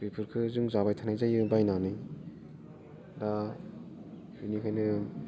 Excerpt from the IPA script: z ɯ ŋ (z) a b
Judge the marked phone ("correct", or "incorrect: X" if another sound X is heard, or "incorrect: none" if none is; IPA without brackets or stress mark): correct